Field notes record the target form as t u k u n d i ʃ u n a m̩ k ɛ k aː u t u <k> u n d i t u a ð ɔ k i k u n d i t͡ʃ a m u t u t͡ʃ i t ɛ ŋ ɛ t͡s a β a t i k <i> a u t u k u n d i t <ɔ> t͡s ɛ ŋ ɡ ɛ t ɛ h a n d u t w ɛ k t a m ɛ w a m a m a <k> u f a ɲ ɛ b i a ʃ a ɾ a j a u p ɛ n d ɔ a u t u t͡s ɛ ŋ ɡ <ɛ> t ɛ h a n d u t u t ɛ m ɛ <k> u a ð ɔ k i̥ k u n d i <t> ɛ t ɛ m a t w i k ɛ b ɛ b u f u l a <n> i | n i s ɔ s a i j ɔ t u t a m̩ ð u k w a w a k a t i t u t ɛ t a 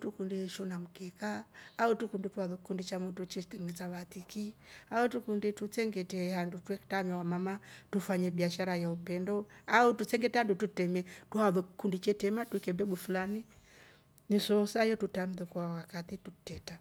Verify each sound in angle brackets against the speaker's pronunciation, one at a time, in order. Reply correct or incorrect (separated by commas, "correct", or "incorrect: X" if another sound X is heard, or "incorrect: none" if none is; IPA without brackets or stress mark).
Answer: correct, correct, incorrect: u, incorrect: t, correct, incorrect: t, incorrect: t͡ʃ, correct